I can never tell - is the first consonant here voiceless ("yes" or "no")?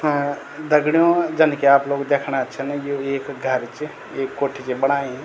no